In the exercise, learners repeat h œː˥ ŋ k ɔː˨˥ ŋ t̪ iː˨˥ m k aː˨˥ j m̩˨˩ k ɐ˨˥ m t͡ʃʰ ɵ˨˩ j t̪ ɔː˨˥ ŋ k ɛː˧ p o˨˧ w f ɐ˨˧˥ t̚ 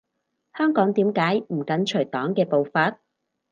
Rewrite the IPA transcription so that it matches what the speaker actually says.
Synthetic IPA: h œː˥ ŋ k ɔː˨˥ ŋ t̪ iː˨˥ m k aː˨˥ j m̩˨˩ k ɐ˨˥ n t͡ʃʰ ɵ˨˩ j t̪ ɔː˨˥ ŋ k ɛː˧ p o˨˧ w f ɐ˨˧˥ t̚